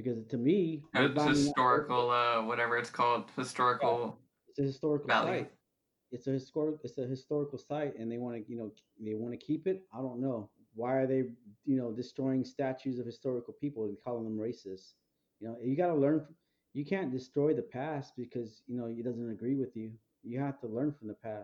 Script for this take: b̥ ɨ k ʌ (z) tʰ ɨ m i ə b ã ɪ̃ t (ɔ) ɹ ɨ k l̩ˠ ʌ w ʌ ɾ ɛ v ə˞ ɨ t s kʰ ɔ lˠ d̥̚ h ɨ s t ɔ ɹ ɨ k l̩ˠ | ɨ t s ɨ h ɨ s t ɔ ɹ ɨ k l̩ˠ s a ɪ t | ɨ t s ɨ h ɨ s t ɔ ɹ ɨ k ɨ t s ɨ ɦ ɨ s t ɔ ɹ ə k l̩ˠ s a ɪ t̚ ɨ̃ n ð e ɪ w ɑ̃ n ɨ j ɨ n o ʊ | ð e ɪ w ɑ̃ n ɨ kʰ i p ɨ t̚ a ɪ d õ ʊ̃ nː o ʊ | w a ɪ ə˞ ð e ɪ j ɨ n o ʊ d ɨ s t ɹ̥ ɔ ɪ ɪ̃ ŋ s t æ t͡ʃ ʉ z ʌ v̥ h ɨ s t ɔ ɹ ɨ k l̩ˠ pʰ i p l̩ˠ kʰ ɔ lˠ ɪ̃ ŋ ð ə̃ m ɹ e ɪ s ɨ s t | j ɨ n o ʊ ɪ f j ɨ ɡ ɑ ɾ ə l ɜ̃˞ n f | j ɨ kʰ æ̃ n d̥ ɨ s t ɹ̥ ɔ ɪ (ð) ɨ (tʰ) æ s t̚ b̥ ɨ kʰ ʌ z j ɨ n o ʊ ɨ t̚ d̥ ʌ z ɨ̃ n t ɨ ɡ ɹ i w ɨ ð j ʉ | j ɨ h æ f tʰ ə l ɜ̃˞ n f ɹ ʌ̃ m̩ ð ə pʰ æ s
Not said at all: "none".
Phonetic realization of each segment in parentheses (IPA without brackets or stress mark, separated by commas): z, ɔ, ð, pʰ